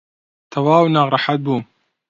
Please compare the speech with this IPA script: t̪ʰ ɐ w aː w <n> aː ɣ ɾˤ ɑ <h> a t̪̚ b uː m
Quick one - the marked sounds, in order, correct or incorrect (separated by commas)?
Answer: correct, incorrect